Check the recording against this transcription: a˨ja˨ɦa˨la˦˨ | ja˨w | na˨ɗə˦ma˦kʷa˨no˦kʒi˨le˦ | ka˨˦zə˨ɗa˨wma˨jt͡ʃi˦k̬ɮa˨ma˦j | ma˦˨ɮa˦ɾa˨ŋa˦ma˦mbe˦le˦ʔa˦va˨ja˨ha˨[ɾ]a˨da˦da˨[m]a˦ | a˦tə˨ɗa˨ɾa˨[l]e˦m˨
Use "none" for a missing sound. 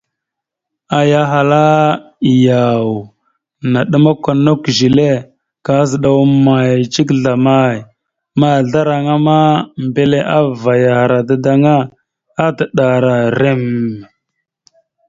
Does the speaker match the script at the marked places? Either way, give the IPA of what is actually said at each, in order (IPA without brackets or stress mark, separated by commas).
ɾ, ŋ, ɾ